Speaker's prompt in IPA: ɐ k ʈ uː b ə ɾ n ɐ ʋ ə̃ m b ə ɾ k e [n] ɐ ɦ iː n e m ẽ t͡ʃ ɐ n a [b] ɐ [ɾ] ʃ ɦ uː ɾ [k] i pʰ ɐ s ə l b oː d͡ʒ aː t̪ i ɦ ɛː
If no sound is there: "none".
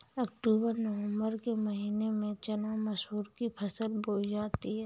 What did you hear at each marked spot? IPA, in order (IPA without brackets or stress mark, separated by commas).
m, m, none, k